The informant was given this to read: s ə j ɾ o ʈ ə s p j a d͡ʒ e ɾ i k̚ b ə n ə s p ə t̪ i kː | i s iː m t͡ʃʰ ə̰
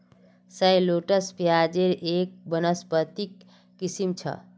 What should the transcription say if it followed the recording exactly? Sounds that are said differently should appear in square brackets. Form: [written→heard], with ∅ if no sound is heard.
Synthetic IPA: s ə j [ɾ→l] o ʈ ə s p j a d͡ʒ e ɾ [i→e] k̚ b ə n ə s p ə t̪ i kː | i s [iː→i] m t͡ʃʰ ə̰